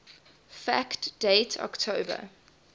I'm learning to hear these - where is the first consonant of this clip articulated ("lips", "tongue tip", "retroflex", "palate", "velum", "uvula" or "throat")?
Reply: lips